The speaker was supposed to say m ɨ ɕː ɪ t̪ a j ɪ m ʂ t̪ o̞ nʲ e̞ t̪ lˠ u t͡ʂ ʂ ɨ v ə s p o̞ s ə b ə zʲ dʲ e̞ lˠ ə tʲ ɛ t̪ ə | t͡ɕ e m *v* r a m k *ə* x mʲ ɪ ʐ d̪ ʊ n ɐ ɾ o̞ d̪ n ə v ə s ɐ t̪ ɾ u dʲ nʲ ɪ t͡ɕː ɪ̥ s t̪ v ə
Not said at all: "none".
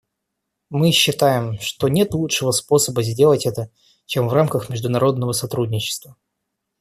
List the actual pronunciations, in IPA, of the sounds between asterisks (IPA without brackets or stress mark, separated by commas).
v, ə